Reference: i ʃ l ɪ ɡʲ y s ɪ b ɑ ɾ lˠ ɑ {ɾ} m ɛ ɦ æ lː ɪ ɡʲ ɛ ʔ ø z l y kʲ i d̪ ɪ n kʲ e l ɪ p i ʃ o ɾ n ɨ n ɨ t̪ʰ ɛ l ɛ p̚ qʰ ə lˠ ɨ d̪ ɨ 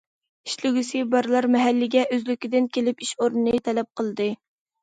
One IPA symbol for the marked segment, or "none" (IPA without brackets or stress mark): ɾ